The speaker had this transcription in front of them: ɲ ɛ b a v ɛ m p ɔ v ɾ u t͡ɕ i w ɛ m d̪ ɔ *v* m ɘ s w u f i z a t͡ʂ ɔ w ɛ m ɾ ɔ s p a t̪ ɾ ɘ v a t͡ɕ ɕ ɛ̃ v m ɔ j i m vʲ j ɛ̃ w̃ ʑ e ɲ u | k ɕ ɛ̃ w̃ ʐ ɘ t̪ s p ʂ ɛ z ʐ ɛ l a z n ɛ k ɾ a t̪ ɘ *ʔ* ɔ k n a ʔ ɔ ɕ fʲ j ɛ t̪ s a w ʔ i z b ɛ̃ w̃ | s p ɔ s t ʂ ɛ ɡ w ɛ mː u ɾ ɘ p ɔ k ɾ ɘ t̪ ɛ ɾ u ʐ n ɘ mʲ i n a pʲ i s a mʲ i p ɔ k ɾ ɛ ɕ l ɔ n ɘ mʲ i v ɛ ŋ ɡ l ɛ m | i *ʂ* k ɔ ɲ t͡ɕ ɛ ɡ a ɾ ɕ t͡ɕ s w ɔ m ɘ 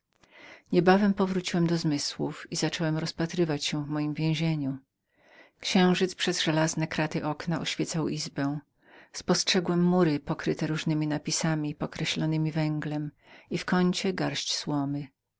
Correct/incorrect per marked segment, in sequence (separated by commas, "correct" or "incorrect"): incorrect, correct, incorrect